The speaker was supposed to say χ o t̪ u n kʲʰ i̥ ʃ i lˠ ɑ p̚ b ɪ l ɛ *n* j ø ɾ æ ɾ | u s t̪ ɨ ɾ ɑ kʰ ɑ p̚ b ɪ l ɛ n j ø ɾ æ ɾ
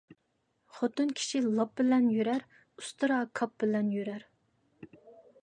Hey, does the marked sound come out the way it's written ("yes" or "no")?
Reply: yes